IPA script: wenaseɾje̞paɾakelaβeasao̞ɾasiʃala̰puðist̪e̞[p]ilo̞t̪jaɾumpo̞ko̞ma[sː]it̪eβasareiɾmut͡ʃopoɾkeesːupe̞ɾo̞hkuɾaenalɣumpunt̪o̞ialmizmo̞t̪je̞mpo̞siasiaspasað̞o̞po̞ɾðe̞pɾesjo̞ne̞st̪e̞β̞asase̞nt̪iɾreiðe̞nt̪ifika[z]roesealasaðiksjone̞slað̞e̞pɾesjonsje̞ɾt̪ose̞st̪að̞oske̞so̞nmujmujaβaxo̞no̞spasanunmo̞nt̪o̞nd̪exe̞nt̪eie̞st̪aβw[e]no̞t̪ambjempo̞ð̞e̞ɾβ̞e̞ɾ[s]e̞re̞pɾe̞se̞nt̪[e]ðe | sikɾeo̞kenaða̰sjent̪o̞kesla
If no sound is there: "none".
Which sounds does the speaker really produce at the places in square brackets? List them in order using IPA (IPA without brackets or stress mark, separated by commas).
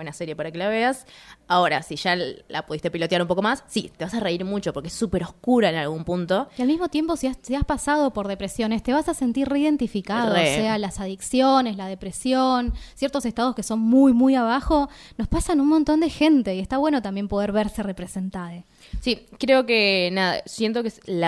p, sː, ð, e, s, a